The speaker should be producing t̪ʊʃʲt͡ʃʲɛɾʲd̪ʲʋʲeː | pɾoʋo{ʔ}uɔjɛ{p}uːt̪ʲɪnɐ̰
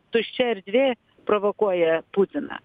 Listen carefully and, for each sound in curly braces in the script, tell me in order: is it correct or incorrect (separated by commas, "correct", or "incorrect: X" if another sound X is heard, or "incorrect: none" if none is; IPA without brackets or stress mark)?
incorrect: k, correct